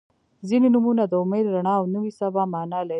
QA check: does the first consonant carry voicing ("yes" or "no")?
yes